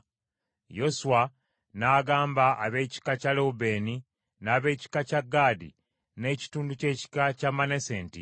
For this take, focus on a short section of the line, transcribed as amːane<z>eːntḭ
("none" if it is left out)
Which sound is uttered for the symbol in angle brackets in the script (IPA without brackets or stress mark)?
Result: s